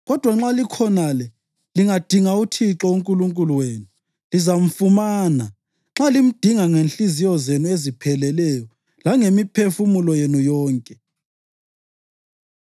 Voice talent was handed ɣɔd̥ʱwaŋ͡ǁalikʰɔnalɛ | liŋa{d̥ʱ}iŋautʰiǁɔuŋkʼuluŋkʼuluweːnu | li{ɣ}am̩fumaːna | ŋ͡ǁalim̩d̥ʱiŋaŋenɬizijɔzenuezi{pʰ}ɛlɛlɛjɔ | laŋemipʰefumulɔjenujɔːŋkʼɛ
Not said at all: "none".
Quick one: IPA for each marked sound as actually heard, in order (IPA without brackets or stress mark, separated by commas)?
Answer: d̥ʱ, z, pʰ